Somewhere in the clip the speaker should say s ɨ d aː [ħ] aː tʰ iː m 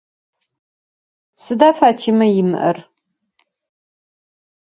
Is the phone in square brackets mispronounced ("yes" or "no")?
yes